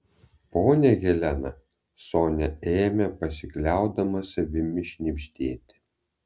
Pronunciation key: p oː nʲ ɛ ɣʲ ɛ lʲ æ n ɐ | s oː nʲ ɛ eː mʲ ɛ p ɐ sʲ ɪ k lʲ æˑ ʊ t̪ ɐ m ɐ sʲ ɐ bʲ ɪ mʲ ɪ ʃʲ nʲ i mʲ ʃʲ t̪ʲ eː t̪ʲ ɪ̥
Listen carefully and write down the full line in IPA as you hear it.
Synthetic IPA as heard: p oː nʲ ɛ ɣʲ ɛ lʲ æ n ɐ | s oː nʲ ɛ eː mʲ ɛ p ɐ sʲ ɪ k lʲ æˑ ʊ d̪ ɐ m ɐ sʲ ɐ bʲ ɪ mʲ ɪ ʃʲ nʲ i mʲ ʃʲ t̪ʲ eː t̪ʲ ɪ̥